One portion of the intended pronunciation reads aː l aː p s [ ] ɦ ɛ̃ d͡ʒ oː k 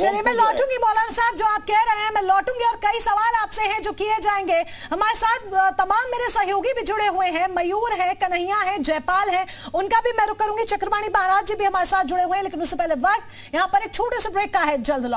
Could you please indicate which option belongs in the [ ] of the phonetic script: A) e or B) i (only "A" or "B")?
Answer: A